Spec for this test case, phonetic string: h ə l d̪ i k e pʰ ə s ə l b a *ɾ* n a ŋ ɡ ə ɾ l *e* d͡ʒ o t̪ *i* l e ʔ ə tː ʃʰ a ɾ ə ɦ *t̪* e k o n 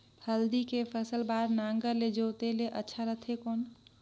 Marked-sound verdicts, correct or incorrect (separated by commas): correct, correct, incorrect, incorrect